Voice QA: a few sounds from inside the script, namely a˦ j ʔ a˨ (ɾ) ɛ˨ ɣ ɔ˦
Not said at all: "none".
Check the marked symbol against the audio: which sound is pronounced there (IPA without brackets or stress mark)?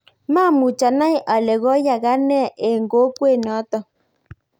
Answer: l